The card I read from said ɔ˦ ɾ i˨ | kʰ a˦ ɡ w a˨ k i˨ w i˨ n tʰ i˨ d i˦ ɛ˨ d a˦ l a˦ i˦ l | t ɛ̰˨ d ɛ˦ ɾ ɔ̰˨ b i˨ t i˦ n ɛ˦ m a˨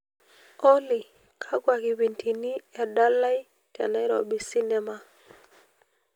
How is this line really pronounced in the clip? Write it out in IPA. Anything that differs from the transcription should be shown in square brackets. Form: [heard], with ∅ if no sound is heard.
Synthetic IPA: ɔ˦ [l] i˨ | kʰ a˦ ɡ w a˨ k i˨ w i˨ n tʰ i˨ [n] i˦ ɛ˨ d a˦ l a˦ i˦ [∅] | t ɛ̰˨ [n] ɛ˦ ɾ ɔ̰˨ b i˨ [s] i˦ n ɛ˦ m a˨